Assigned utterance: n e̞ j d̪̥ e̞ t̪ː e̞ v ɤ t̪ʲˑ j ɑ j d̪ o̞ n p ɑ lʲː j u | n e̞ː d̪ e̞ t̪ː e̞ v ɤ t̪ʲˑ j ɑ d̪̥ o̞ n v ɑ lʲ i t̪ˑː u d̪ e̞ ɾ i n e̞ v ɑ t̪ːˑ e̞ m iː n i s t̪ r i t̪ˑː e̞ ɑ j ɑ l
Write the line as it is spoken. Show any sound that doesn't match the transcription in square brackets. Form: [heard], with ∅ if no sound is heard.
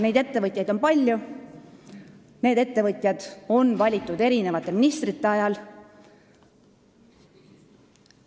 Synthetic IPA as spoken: n e̞ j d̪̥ e̞ t̪ː e̞ v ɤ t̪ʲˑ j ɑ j d̪ o̞ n p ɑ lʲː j u | n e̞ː d̪ e̞ t̪ː e̞ v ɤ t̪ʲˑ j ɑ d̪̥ o̞ n v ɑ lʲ i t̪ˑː u d̪ e̞ ɾ i n e̞ v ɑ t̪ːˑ e̞ m [i] n i s t̪ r i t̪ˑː e̞ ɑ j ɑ l